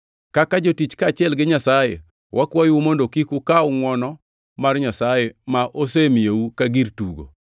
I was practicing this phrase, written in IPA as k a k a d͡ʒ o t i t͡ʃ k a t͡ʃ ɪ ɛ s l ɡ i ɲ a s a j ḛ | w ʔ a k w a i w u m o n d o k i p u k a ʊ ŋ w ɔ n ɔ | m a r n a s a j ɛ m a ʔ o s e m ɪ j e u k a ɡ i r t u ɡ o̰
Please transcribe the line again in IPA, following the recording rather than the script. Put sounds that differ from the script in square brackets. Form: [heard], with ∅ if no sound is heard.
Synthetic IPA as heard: k a k a d͡ʒ o t i t͡ʃ k a t͡ʃ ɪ ɛ [∅] l ɡ [ɪ] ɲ a s a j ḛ | w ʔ a k w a [j] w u m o n d o k i [k] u k a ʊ ŋ w ɔ n ɔ | m a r [ɲ] a s a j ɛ m a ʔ o s e m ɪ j e u k a ɡ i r t u ɡ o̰